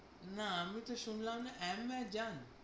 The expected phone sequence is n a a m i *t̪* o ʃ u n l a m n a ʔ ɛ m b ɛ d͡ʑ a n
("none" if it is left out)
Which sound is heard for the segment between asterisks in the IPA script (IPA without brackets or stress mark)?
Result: t̪